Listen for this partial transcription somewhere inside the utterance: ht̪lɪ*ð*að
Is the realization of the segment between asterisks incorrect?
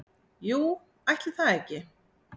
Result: yes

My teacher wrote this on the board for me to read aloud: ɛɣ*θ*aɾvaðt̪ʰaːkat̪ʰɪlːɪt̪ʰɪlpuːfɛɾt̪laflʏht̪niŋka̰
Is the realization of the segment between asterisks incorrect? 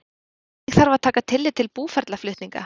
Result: no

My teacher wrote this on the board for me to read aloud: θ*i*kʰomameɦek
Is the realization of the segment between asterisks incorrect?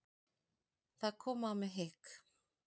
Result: yes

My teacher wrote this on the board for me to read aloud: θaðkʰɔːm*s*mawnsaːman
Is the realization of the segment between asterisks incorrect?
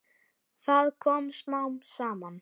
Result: no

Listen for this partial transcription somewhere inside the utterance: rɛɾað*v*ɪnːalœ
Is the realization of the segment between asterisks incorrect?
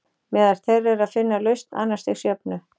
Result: yes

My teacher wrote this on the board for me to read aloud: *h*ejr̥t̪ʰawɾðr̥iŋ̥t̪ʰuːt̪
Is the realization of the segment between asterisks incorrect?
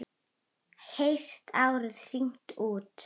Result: no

